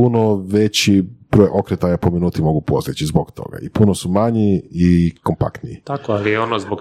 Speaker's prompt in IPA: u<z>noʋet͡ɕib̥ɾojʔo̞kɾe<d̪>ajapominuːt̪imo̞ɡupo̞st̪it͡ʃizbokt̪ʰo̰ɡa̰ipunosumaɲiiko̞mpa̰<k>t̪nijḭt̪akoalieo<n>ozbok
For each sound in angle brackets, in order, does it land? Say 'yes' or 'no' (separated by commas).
no, no, yes, yes